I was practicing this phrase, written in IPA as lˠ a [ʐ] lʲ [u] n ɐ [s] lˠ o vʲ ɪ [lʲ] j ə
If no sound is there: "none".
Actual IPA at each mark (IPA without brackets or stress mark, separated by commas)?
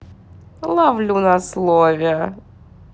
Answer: v, u, s, none